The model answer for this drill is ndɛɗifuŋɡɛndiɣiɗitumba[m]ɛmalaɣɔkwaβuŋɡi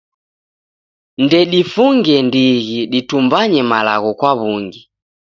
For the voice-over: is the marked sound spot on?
no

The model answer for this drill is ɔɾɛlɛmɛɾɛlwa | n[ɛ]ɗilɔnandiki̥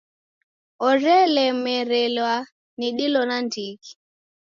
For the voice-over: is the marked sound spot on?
no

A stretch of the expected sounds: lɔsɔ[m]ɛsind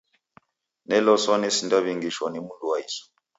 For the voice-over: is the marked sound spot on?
no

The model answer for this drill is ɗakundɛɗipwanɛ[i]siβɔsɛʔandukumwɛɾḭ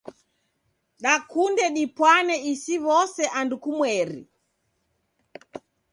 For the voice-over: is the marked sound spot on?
yes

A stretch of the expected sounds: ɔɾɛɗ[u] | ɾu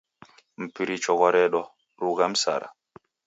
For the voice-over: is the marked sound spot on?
no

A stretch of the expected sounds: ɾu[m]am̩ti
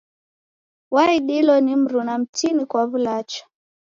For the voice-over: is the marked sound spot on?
no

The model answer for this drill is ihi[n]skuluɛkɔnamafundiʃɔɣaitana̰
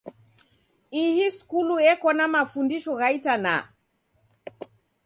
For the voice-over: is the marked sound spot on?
no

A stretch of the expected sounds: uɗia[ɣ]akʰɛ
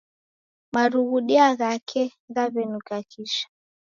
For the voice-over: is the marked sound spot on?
yes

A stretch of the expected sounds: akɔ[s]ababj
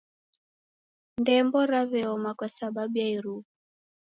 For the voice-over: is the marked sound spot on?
yes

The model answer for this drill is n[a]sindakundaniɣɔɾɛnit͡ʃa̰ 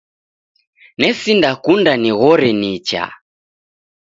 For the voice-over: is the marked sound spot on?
no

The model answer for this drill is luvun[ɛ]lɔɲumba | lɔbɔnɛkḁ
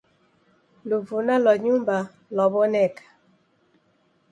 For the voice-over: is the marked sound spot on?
no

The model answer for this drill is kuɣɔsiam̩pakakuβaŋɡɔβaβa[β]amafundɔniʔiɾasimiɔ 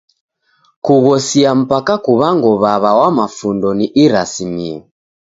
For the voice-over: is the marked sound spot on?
no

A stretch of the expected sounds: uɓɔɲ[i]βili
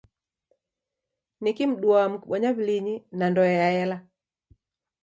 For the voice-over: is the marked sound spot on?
no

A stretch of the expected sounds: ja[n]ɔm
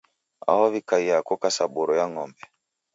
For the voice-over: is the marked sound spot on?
no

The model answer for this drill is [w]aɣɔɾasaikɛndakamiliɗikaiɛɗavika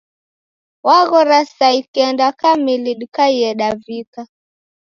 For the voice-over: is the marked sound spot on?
yes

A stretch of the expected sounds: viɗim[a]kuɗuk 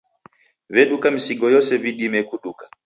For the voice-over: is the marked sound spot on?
no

